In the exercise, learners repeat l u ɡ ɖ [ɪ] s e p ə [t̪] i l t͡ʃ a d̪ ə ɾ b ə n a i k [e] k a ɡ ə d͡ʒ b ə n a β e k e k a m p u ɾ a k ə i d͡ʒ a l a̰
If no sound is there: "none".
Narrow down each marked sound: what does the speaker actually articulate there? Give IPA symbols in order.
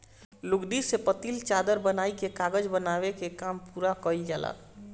i, t̪, e

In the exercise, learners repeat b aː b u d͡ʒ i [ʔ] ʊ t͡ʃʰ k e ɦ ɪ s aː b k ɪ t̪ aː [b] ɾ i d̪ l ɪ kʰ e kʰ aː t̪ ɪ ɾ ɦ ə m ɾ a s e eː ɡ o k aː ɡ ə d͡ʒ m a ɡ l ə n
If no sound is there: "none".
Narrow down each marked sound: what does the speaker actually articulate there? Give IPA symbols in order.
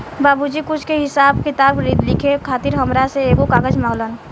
k, b

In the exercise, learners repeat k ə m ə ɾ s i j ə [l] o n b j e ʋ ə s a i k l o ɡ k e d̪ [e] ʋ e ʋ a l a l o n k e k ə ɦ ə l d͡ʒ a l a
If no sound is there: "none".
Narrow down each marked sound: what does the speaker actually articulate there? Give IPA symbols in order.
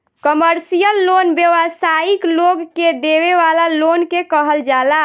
lː, e

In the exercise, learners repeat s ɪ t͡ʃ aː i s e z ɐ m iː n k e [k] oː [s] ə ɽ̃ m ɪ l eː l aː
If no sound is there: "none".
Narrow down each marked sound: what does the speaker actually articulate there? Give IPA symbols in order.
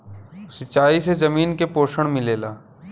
p, ʃ

